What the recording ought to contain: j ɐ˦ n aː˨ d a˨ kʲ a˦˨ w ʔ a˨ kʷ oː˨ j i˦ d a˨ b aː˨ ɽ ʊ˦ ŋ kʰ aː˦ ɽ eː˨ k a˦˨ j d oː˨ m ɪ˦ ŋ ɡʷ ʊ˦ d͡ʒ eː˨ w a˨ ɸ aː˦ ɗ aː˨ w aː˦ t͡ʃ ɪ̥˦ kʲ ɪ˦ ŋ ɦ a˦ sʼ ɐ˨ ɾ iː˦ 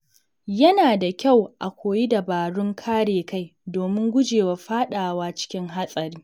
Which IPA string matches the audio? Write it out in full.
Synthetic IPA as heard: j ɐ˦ n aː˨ d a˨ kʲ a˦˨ w ʔ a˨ kʷ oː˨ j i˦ d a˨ b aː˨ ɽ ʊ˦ ŋ kʰ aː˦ ɽ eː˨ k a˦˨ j d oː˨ m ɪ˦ ŋ ɡʷ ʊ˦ d͡ʒ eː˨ w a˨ ɸ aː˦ ɗ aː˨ w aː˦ t͡ʃ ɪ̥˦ kʲ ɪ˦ ŋ ɦ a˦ sʼ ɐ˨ ɾ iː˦